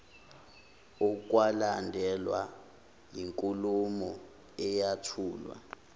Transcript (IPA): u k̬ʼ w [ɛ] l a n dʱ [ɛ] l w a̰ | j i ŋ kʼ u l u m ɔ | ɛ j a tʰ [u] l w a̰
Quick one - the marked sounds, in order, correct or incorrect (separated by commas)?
incorrect, correct, incorrect